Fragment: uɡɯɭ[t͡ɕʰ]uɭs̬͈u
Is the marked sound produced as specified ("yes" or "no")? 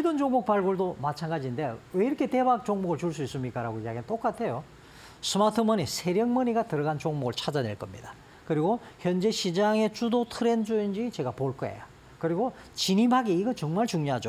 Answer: no